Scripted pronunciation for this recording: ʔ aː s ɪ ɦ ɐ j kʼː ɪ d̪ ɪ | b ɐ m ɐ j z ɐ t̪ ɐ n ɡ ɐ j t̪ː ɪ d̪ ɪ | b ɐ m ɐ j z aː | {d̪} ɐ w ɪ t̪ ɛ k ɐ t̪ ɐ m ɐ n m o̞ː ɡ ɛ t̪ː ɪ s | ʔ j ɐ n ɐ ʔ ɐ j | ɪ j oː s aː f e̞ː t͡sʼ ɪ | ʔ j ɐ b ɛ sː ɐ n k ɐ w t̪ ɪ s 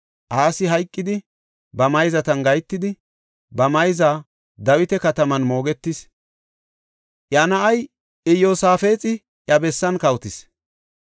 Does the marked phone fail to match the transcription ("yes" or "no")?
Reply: no